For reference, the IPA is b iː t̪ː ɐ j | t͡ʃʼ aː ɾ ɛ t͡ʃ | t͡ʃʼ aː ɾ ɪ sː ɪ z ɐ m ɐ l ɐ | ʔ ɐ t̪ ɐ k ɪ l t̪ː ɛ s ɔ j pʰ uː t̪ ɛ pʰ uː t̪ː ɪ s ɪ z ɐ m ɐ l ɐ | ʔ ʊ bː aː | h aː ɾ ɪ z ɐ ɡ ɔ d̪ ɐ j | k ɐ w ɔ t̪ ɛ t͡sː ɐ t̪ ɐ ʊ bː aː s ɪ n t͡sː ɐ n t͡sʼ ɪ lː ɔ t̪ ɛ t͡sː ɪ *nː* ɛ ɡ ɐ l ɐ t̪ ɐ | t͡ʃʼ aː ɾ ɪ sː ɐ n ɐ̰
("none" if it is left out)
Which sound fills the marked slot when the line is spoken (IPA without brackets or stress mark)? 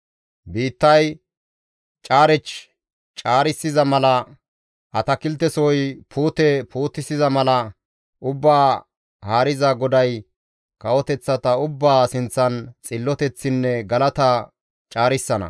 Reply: nː